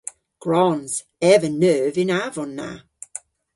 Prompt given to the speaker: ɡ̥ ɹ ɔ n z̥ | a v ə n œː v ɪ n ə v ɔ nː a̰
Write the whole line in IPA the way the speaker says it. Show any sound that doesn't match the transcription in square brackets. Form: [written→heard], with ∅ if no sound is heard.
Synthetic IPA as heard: ɡ̥ ɹ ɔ n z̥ | [a→ɛ] v ə n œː v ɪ n [ə→a] v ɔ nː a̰